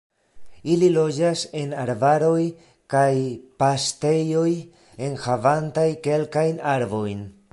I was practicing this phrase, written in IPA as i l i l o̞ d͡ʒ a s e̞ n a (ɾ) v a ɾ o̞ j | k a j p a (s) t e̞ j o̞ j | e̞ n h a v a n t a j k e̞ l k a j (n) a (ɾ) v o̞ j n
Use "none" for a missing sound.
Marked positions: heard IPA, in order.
ɾ, s, n, ɾ

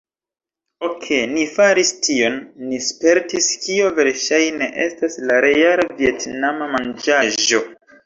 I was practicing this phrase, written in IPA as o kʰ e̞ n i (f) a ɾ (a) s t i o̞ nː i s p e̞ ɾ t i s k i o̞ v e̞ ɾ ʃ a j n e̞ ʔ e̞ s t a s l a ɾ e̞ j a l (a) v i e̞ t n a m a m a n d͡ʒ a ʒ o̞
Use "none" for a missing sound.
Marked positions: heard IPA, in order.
f, i, a

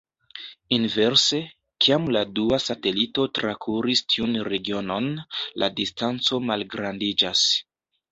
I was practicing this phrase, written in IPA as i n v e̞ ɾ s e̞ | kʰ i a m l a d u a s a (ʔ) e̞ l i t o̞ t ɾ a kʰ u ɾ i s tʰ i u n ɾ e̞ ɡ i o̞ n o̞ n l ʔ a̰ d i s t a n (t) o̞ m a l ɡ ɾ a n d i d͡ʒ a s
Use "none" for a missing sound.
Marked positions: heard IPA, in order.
t, t͡s

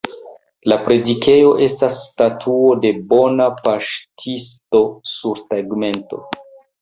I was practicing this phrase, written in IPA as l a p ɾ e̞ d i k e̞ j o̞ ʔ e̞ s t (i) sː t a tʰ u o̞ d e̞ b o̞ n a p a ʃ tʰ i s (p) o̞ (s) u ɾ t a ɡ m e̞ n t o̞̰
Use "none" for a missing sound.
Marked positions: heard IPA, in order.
a, t, s

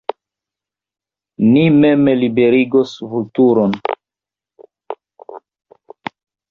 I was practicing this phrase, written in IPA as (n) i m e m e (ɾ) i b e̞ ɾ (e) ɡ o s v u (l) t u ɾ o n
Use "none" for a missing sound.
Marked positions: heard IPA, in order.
n, l, i, l

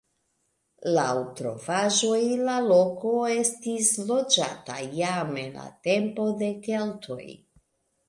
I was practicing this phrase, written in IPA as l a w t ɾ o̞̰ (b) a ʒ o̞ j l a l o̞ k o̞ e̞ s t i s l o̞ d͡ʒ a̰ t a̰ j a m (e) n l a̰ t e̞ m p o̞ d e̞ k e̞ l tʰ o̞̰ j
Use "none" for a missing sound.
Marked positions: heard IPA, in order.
v, e

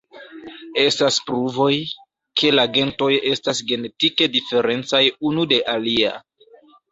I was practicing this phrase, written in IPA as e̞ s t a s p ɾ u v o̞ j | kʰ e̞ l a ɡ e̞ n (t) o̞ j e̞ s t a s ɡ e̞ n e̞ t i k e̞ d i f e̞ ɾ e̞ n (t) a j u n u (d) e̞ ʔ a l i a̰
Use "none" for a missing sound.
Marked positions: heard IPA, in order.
t, t͡s, d

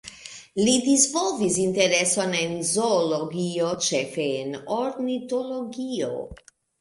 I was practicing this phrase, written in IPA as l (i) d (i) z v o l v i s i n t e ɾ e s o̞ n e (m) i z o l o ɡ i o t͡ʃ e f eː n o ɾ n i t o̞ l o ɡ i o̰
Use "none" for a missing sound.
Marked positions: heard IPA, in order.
i, i, n

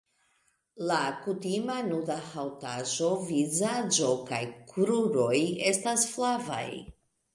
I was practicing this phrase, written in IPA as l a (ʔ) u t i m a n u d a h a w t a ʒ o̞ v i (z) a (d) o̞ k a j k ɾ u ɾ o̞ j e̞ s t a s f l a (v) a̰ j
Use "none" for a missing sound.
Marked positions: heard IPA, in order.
k, z, d͡ʒ, v

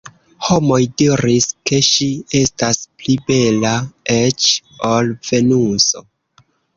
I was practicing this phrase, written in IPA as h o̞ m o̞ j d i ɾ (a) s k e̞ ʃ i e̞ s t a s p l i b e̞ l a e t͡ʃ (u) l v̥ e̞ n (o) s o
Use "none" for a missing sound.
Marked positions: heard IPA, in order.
i, o, u

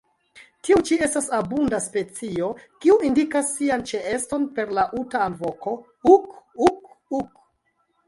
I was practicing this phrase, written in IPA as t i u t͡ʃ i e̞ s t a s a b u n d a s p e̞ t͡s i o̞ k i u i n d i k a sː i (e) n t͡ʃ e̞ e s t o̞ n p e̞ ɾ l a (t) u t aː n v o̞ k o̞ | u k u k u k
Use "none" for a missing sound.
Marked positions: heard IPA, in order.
a, ʔ

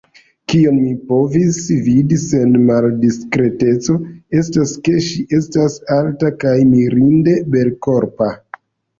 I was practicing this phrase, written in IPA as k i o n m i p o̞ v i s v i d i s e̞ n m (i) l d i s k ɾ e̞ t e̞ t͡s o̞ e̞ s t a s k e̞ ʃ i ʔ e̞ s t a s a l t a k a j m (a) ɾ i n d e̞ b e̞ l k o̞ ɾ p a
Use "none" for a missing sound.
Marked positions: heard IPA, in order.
a, i

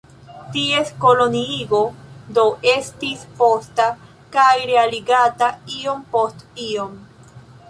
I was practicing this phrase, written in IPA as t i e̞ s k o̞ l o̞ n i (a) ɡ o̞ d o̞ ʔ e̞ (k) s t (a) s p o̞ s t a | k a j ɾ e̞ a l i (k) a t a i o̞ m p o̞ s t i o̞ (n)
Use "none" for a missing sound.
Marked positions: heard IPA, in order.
i, none, i, ɡ, m

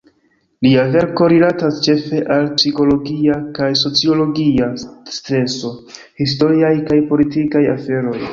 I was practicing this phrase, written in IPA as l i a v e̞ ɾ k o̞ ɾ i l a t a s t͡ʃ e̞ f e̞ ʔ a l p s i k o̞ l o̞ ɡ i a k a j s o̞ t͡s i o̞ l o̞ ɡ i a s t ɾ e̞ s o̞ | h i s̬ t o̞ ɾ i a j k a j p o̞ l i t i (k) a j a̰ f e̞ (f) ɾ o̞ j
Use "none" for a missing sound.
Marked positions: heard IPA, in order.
k, none

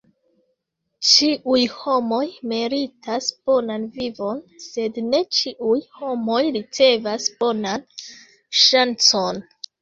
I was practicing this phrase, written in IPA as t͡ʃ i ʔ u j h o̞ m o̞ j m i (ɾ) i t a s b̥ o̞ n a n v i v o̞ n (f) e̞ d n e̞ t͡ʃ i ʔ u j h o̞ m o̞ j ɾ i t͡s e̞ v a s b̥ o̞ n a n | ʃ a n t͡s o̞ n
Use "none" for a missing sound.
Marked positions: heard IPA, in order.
ɾ, s

